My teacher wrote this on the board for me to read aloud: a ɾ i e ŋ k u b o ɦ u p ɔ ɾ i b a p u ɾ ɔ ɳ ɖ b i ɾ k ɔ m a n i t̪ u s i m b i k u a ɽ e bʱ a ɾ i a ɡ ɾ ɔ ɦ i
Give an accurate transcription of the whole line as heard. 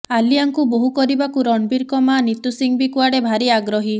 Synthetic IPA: a l i a ŋ k u b o ɦ u k ɔ ɾ i b a k u ɾ ɔ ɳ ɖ b i ɾ k ɔ m a n i t̪ u s i ŋ b i k u a ɽ e bʱ a ɾ i a ɡ ɾ ɔ ɦ i